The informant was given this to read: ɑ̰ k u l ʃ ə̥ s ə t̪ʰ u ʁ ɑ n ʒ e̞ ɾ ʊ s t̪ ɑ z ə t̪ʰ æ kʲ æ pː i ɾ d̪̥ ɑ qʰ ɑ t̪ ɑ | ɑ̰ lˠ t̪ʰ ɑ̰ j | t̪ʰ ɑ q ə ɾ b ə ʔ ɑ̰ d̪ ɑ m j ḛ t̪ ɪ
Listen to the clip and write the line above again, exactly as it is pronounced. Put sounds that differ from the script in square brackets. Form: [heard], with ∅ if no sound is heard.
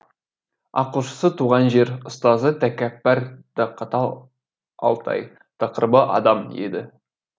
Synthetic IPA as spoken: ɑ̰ [q] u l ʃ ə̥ s ə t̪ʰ u ʁ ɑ n ʒ e̞ ɾ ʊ s t̪ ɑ z ə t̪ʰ æ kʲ æ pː [æ] ɾ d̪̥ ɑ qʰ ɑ t̪ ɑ | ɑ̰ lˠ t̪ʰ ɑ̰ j | t̪ʰ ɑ q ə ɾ b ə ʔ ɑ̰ d̪ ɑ m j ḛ [d̪] ɪ